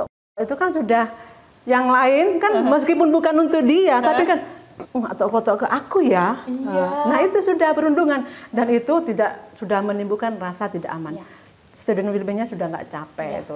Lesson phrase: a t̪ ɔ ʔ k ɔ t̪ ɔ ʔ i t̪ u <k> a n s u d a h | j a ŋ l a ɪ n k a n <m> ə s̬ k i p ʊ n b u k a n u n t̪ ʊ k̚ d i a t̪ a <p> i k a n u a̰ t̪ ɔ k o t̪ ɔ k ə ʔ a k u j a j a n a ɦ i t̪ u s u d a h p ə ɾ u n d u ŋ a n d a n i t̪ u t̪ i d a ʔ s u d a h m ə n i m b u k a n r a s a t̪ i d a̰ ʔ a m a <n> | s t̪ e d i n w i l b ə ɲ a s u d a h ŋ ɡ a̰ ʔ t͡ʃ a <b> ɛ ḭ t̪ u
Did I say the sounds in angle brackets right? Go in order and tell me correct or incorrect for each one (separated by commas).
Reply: correct, correct, correct, correct, incorrect